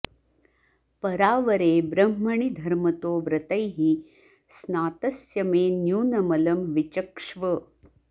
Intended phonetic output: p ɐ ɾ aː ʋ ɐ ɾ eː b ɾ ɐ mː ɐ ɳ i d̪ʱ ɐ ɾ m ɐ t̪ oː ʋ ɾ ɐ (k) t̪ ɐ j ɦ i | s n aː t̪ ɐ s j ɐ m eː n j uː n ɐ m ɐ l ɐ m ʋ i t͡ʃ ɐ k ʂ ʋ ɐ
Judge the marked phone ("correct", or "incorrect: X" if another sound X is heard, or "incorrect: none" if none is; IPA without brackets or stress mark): incorrect: none